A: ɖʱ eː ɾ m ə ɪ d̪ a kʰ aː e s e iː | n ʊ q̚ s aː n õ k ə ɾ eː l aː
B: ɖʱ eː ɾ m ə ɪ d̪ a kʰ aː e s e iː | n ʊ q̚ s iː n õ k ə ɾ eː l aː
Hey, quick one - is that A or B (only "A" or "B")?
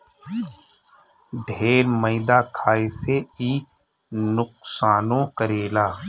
A